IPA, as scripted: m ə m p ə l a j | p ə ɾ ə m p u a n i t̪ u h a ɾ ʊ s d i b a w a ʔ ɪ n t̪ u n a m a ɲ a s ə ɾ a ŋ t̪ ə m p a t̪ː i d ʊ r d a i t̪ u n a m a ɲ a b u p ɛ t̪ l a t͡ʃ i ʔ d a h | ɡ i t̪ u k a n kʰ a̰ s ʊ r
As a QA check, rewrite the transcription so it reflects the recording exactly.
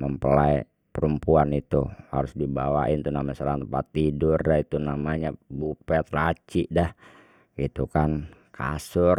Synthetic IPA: m ə m p ə l a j | p ə ɾ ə m p u a n i t̪ u h a ɾ ʊ s d i b a w a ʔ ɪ n t̪ u n a m a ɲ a s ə ɾ a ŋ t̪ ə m p a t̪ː i d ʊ r d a i t̪ u n a m a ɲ a b u p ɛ t̪ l a t͡ʃ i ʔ d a h | ɡ i t̪ u k a n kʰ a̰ s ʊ r